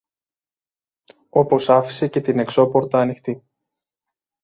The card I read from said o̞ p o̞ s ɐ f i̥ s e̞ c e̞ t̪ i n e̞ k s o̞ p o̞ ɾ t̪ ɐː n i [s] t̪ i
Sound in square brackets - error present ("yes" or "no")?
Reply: yes